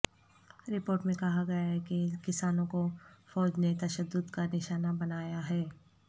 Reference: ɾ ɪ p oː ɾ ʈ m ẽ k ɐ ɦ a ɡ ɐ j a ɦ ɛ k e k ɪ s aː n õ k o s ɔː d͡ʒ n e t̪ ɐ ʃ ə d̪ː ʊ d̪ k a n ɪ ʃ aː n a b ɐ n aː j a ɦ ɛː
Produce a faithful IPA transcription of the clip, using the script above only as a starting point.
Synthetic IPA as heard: ɾ ɪ p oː ɾ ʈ m ẽ k ɐ ɦ a ɡ ɐ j a ɦ ɛ k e k ɪ s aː n õ k o f ɔː d͡ʒ n e t̪ ɐ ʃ ə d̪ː ʊ d̪ k a n ɪ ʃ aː n a b ɐ n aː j a ɦ ɛː